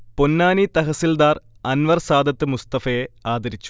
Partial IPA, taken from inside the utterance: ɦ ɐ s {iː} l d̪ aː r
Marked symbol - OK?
no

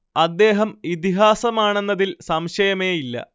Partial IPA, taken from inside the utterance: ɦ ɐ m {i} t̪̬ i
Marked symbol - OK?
yes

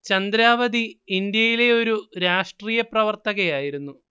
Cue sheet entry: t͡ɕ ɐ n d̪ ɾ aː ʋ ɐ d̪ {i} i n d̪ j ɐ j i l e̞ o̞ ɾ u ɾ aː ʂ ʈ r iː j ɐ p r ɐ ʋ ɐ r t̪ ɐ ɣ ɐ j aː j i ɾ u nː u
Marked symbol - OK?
yes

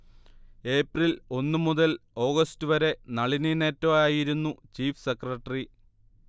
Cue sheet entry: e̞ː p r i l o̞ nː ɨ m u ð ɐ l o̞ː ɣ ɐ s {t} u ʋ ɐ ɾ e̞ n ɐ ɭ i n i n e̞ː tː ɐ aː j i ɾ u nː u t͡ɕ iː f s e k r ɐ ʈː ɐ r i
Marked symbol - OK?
yes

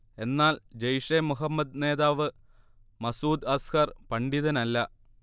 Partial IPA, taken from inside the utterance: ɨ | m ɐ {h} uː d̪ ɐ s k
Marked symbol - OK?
no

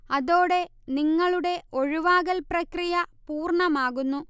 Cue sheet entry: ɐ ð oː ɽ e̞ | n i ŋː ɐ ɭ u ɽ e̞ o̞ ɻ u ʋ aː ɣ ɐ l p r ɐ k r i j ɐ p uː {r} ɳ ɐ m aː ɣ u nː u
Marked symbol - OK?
yes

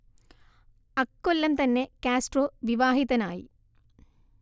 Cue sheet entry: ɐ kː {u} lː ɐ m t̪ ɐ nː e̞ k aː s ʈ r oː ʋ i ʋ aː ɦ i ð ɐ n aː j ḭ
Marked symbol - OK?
no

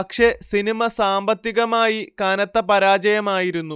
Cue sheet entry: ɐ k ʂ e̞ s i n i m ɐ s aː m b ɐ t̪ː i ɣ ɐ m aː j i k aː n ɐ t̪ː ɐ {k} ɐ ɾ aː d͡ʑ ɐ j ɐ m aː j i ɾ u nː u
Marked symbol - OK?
no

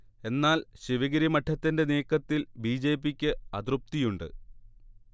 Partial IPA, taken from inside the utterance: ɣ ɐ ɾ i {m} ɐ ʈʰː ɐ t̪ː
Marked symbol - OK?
yes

